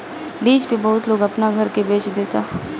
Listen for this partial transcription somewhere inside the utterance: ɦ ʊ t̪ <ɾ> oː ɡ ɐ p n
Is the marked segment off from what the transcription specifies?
yes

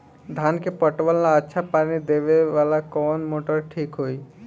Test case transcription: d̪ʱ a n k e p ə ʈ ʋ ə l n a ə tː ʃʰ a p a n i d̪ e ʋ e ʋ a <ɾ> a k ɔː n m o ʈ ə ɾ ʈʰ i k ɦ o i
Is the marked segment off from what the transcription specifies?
yes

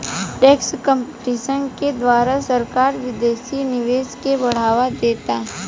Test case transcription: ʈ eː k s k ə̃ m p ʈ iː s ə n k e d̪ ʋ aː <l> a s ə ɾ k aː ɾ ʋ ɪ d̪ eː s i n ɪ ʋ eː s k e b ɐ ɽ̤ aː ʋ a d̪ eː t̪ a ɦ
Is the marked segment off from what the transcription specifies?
yes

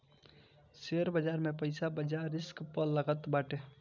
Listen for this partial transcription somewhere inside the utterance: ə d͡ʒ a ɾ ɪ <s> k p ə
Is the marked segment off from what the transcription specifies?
no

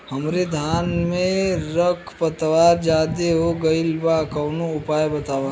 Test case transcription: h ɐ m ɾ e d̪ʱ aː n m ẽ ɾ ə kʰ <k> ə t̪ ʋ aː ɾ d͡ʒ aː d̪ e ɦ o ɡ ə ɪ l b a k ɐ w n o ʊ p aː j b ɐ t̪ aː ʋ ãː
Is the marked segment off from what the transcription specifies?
yes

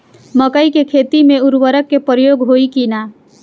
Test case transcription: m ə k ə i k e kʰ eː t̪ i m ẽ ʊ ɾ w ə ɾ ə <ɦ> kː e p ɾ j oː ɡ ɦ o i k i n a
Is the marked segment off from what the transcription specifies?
yes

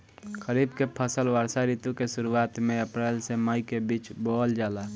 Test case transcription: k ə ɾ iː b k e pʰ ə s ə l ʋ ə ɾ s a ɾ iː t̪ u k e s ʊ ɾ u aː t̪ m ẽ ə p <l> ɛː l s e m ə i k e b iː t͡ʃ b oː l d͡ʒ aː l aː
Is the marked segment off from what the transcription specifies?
yes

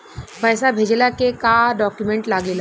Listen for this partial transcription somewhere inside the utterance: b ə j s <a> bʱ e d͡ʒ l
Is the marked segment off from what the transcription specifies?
no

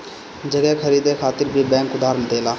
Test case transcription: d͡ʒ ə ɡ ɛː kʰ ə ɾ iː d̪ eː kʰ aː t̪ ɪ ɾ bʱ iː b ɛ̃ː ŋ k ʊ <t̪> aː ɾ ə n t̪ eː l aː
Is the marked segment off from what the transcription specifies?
yes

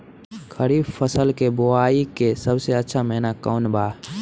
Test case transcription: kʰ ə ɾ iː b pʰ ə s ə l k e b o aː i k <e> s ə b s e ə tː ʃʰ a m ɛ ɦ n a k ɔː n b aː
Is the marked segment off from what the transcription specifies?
no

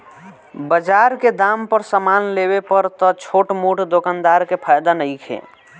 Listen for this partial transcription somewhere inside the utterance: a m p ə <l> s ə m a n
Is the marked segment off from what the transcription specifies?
yes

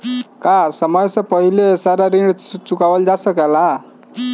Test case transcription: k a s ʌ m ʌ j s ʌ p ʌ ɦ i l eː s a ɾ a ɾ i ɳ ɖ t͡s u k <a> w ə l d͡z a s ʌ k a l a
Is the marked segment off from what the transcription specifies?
no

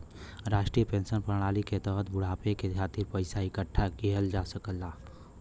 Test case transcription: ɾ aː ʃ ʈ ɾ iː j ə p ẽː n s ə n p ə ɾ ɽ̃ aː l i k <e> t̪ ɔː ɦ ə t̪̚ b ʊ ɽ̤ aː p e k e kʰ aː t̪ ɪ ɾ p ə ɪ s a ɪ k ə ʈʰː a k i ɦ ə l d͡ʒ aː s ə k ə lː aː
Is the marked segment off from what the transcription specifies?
no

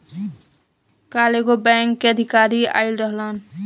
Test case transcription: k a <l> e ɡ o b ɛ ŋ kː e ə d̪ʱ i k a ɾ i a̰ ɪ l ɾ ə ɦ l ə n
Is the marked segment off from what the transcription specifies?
no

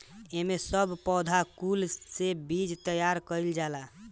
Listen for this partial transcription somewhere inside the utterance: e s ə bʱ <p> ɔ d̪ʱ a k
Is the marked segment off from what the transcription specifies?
no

